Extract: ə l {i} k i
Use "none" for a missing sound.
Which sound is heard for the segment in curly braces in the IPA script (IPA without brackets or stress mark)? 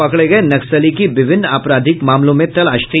i